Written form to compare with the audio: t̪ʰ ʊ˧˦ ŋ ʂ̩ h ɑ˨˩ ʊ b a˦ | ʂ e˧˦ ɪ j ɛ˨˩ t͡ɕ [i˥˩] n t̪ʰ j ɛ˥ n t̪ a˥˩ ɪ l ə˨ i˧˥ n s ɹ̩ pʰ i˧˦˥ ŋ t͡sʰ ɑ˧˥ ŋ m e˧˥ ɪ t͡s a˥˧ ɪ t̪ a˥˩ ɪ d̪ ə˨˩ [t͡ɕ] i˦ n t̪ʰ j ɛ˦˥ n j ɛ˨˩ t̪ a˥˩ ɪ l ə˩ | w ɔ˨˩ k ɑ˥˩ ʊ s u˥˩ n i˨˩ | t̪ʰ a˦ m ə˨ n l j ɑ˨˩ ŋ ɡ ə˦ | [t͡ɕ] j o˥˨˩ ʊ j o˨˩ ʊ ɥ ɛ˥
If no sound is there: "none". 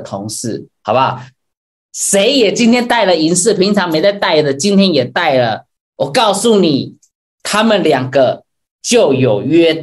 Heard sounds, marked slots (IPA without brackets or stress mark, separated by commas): i˥, t͡ɕ, t͡ɕ